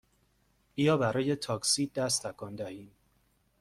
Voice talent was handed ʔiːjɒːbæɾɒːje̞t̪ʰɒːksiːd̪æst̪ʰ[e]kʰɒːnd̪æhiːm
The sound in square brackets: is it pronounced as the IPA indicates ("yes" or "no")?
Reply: no